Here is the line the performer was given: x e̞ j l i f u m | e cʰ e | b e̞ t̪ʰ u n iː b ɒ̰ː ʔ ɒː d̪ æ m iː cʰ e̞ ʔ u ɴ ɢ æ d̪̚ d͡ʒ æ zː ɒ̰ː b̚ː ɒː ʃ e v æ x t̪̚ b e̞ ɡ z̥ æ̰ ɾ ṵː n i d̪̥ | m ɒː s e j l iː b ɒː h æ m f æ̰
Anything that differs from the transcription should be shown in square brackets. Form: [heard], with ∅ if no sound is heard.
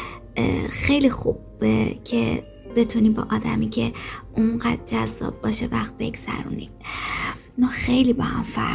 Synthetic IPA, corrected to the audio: x e̞ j l i [x] u [b] | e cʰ e | b e̞ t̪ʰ u n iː b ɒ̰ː ʔ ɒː d̪ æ m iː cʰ e̞ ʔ u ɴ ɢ æ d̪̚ d͡ʒ æ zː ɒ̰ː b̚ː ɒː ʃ e v æ x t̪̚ b e̞ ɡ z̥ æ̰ ɾ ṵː n i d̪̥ | m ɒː [x] e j l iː b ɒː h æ m f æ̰